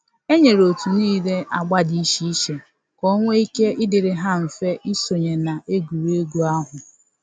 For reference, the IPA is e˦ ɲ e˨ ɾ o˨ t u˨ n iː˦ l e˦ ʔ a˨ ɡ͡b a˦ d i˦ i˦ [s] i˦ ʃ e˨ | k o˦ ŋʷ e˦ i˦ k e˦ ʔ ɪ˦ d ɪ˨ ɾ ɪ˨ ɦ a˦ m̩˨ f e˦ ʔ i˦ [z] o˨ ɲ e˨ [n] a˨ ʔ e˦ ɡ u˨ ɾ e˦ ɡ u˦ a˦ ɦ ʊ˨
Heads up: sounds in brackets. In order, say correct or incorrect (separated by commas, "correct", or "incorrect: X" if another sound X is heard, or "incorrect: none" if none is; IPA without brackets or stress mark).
incorrect: ʃ, incorrect: s, correct